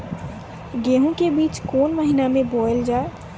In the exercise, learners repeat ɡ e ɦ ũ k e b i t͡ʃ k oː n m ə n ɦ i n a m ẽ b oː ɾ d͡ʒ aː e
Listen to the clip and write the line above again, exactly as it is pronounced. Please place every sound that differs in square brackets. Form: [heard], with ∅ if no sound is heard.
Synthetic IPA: ɡ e ɦ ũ k e b [iː] t͡ʃ k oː n m ə [∅] ɦ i n a m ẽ b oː [l] d͡ʒ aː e